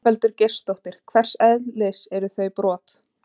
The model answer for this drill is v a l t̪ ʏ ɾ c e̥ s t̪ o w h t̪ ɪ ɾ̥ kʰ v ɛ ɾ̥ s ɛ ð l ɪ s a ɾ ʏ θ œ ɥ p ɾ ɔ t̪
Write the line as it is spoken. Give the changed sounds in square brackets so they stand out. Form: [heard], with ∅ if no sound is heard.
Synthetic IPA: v [ɛ] l t̪ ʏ ɾ c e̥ s t̪ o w h t̪ ɪ ɾ̥ kʰ v ɛ [r̥] s ɛ ð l ɪ s [ɛ] ɾ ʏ θ œ ɥ p ɾ [ɔː] t̪

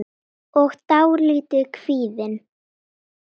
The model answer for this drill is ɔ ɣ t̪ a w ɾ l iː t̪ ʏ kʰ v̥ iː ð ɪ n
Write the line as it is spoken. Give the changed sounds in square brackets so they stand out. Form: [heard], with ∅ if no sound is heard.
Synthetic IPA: ɔ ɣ t̪ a w ɾ l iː t̪ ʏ kʰ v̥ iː ð ɪ n

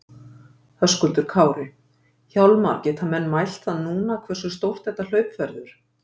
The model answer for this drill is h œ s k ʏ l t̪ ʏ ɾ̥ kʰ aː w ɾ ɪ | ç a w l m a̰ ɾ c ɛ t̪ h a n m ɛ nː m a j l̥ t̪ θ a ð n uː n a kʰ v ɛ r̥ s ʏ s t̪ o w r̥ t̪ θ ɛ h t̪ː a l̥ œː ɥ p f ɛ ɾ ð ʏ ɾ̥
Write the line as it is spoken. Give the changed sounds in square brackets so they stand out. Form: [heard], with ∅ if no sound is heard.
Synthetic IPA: h œ s k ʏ l t̪ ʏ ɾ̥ kʰ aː w ɾ ɪ | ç a w l m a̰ ɾ c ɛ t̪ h a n m ɛ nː m a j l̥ t̪ θ a ð n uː n a kʰ v ɛ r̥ s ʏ s t̪ o w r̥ t̪ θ ɛ h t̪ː a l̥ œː ɥ p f ɛ ɾ ð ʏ ɾ̥

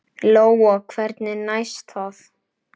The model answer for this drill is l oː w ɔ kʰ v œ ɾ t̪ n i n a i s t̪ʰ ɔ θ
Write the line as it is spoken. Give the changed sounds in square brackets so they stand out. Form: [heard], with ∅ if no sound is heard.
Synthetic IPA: l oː w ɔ kʰ v [ɛ] ɾ t̪ n [ɪ] n a [j] s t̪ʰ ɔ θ

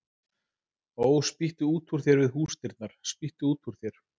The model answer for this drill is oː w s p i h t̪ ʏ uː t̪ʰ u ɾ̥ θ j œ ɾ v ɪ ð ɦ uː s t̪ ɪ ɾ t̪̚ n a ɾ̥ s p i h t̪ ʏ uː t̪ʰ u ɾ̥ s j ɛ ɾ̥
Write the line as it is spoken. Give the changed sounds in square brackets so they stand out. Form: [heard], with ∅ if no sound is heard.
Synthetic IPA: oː w s p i h t̪ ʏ uː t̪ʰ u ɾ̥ θ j [ɛ] ɾ v ɪ ð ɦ uː s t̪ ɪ ɾ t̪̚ n a ɾ̥ s p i h t̪ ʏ uː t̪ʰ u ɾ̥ [θ] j ɛ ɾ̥

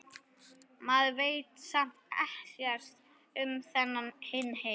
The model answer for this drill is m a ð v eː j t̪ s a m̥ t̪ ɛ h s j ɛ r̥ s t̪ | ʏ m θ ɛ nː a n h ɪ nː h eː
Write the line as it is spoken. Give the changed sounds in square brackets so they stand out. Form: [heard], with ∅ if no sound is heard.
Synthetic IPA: m a ð v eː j t̪ s a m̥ t̪ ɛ h s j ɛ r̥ s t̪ | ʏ m θ ɛ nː a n h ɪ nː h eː

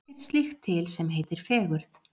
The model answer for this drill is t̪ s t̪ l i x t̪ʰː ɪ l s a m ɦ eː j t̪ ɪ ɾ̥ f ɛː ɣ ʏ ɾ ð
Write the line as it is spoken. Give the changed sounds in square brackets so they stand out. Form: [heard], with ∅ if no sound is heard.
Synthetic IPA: t̪ s t̪ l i x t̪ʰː ɪ l s [ɛ] m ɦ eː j t̪ ɪ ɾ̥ f ɛː ɣ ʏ ɾ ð

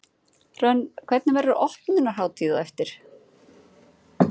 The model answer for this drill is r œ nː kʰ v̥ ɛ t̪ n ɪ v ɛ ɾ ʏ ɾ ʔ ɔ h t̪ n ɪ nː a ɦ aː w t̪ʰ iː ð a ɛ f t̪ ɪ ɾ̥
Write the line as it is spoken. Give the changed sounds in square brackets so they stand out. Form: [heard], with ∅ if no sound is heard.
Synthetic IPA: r œ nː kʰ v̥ ɛ t̪ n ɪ v ɛ ɾ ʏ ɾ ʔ ɔ h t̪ n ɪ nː a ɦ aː w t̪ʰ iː ð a ɛ f t̪ ɪ ɾ̥

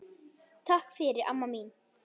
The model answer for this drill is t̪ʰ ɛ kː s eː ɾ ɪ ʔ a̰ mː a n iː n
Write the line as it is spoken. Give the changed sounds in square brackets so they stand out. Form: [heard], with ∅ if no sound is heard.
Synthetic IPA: t̪ʰ [a] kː [f] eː ɾ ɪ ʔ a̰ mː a [m] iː n

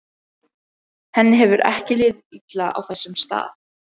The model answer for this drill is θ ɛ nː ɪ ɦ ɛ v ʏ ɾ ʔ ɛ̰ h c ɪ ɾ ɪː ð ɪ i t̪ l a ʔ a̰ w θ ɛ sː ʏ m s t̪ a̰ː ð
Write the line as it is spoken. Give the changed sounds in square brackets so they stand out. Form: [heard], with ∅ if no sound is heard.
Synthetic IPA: [h] ɛ nː ɪ ɦ ɛ v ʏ ɾ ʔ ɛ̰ h c ɪ [l] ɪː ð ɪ i t̪ l a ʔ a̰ w θ ɛ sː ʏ m s t̪ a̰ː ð

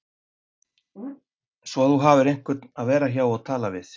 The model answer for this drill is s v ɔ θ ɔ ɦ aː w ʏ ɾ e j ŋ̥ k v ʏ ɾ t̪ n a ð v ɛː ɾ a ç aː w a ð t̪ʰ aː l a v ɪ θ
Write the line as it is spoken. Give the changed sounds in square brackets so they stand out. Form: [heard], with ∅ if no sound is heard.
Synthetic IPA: s v ɔ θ [u] ɦ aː [v] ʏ ɾ e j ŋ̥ k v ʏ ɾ t̪ n a ð v ɛː ɾ a ç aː w a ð t̪ʰ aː l a v ɪ θ

